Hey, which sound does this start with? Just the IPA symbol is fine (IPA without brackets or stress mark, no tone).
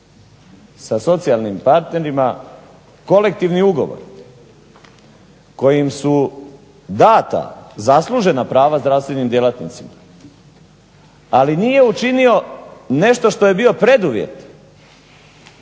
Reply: s